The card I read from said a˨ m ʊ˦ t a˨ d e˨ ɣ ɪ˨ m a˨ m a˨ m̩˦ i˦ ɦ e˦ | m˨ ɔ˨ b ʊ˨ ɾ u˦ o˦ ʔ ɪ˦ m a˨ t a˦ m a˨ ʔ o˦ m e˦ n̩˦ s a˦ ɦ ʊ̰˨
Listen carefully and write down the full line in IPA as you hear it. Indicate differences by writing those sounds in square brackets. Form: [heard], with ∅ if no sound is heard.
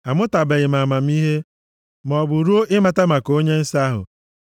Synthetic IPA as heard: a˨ m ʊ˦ t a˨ [b] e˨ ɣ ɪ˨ m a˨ m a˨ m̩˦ i˦ ɦ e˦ | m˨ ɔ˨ b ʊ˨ ɾ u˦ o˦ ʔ ɪ˦ m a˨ t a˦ m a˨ [k] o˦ [ɲ] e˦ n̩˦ s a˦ ɦ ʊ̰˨